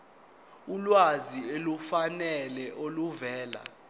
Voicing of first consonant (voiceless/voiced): voiced